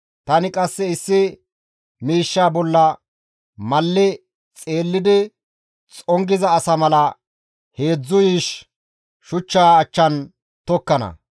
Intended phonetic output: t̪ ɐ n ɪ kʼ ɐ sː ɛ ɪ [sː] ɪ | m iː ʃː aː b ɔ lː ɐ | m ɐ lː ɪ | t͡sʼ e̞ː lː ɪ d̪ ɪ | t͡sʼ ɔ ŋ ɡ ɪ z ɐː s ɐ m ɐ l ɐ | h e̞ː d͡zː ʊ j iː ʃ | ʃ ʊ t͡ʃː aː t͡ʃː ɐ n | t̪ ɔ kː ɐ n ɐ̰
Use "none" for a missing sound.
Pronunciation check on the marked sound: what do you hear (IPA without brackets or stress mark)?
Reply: sː